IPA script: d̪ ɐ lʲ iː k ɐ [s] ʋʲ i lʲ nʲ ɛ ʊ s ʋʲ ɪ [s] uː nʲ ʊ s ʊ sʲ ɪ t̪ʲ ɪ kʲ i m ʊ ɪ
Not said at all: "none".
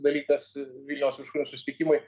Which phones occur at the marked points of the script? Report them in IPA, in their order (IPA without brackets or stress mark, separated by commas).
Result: s, ʃ